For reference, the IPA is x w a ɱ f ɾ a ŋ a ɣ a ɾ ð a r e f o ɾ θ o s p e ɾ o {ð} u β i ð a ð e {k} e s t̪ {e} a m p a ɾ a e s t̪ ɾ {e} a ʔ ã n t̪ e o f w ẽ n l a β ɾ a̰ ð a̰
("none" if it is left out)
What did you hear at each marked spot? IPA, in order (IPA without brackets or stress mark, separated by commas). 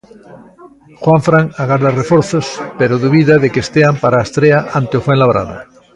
ð, k, e, e